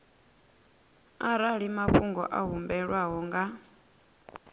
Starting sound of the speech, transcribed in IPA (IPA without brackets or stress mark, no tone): a